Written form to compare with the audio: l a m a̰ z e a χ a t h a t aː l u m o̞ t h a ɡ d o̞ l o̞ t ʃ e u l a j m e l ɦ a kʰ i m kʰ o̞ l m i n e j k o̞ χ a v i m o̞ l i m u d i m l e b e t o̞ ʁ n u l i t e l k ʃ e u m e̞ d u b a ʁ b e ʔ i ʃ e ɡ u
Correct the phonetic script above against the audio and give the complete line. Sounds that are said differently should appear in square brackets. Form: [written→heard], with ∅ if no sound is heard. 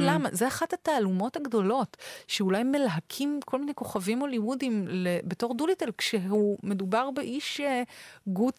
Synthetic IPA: l a m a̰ z e a χ a t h a t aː l u m o̞ t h a ɡ d o̞ l o̞ t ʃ e u l a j m e l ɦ a kʰ i m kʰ o̞ l m i n e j k o̞ χ a v i m o̞ l i m u d i m l e b e t o̞ ʁ [n→d] u l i t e l k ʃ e u m e̞ d u b a ʁ b e ʔ i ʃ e ɡ u